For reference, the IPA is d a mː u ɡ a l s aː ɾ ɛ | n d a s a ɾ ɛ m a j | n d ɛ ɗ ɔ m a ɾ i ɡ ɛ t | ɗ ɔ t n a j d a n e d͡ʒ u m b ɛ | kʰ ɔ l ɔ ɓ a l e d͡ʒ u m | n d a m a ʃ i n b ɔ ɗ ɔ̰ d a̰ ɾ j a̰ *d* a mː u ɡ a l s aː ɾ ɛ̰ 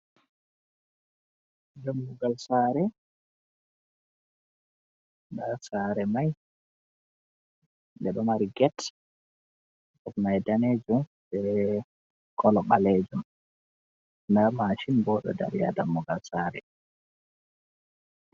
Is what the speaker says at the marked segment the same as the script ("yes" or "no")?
yes